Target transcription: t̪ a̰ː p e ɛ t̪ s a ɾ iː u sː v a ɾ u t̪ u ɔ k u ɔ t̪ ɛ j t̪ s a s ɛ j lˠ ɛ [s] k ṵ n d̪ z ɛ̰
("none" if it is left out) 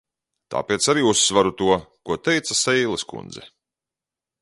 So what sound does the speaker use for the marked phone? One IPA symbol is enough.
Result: s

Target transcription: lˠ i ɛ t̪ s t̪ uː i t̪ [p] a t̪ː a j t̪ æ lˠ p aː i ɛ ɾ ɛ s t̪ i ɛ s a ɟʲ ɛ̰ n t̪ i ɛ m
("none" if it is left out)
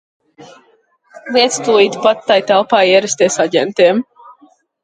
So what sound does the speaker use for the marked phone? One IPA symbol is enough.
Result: p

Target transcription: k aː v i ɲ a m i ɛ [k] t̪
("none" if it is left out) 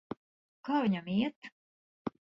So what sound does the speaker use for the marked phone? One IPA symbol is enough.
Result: none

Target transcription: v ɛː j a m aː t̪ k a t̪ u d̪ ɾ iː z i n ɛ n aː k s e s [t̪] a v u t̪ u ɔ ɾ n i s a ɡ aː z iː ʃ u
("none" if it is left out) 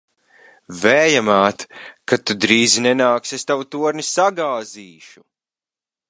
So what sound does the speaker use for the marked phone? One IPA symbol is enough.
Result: t̪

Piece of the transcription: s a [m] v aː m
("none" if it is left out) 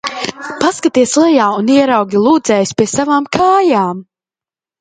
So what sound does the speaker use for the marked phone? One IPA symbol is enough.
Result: none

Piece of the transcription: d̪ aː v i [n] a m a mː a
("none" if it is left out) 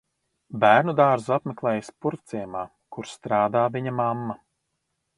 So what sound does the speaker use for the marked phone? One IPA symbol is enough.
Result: ɲ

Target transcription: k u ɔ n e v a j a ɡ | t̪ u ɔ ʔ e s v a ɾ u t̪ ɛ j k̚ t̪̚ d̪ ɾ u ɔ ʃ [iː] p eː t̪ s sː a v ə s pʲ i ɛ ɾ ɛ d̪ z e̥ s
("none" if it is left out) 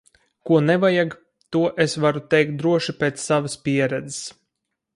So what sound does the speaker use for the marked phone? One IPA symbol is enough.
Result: i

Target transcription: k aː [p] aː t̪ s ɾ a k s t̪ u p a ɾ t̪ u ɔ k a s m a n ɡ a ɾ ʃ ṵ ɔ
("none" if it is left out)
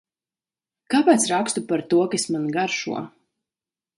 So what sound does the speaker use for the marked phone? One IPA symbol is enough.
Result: p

